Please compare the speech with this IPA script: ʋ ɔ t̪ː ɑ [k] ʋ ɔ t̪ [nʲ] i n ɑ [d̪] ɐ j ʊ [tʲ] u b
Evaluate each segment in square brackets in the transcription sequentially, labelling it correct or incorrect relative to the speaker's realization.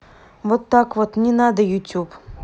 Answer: correct, correct, correct, correct

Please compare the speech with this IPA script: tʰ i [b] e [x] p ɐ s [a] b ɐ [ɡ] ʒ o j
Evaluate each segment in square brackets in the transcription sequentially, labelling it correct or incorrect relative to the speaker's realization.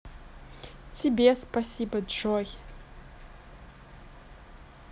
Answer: correct, incorrect: s, incorrect: i, incorrect: d

